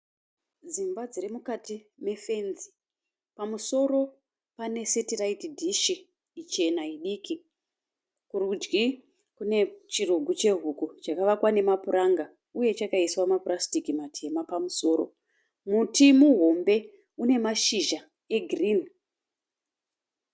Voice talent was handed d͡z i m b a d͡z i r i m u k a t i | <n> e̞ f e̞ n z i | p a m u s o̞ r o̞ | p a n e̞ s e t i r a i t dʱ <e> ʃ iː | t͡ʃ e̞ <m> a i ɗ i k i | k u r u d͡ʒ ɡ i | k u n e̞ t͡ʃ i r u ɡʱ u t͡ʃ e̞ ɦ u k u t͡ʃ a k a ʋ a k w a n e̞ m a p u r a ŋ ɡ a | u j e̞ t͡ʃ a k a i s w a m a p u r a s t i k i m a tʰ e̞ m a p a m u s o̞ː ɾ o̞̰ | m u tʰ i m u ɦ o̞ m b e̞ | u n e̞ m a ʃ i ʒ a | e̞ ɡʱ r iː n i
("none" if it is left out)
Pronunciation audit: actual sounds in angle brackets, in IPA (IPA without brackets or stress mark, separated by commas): m, i, n